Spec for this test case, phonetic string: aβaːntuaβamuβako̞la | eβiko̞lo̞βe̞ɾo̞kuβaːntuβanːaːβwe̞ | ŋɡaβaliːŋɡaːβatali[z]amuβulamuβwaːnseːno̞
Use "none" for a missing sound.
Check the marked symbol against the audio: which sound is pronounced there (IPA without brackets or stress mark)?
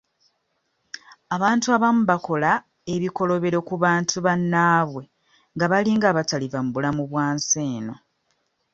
v